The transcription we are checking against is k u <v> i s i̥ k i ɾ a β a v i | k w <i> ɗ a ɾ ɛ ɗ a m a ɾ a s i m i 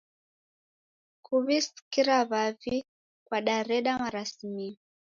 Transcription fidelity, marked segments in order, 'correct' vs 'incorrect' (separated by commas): incorrect, incorrect